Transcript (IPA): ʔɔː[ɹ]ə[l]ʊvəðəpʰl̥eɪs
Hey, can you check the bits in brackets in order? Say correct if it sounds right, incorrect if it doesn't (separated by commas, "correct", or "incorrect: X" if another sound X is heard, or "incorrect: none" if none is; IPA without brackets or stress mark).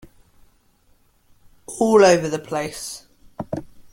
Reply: incorrect: l, incorrect: none